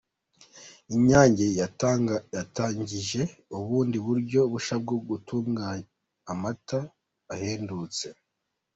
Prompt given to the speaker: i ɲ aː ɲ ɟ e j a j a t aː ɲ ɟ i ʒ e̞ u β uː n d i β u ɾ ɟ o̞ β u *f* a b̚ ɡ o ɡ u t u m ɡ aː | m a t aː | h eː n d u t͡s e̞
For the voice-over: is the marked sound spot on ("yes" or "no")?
no